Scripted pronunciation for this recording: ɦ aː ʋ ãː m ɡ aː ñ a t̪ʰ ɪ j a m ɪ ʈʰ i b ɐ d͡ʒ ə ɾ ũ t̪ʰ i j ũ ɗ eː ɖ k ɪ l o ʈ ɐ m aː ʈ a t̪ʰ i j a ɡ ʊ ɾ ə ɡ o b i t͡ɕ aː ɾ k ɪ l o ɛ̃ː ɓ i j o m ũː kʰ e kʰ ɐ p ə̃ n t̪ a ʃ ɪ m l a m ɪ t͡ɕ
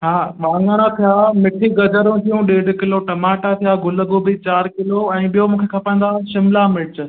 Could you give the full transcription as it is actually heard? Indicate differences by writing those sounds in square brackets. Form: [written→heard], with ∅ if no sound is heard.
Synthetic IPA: ɦ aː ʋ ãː [m→ŋ] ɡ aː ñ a t̪ʰ [ɪ→i] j a m ɪ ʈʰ i [b→ɡ] ɐ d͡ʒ ə ɾ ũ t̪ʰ i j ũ ɗ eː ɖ k ɪ l o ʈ ɐ m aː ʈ a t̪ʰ i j a ɡ ʊ [ɾ→l] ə ɡ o b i t͡ɕ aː ɾ k ɪ l o ɛ̃ː ɓ i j o m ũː kʰ e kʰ ɐ p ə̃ n [t̪→d̪] a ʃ ɪ m l a m ɪ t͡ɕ